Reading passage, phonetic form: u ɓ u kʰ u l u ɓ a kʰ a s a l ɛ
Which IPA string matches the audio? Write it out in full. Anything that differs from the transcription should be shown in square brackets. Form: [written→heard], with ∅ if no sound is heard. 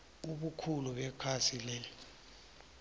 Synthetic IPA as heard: u ɓ u kʰ u l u ɓ [a→ɛ] kʰ a s [a→i] l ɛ